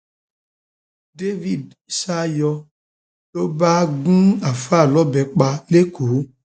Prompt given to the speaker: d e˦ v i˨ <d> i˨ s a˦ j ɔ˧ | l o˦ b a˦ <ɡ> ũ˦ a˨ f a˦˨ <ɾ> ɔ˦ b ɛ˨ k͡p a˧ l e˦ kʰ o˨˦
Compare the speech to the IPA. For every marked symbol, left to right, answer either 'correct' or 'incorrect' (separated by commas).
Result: correct, correct, incorrect